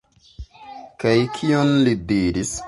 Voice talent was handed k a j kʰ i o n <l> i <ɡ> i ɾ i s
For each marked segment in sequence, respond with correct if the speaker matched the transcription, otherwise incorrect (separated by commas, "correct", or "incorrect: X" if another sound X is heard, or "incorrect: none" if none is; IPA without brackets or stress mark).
correct, incorrect: d